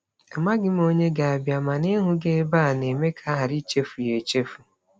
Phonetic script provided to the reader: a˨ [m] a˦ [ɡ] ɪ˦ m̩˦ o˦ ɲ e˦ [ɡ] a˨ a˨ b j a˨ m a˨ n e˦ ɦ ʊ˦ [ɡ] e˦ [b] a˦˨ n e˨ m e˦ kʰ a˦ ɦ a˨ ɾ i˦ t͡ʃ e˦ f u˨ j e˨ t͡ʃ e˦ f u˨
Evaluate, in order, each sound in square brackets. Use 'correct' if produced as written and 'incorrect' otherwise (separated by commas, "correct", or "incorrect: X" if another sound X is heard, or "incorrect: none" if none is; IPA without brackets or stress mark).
correct, correct, correct, correct, correct